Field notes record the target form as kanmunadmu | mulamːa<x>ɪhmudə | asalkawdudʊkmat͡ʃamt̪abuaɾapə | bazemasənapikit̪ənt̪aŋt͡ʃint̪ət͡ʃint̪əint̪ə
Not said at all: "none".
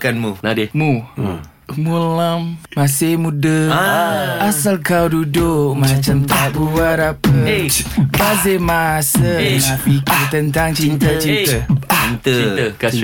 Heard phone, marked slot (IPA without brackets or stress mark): s